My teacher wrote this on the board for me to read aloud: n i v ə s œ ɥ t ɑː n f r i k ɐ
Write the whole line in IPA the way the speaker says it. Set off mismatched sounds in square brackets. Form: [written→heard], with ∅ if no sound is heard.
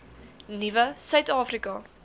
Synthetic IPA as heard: n i v ə s œ ɥ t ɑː [n→∅] f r i k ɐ